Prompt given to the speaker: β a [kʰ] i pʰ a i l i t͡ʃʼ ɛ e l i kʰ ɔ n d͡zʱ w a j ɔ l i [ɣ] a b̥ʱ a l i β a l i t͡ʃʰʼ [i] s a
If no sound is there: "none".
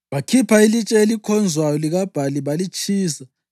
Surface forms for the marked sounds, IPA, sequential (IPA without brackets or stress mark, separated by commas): kʰ, ɣ, iː